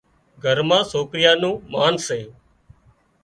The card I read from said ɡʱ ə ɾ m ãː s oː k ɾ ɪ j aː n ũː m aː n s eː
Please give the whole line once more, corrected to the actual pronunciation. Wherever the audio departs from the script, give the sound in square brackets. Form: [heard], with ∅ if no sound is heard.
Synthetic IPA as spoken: ɡʱ ə ɾ m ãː s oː k ɾ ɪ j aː n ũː m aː n s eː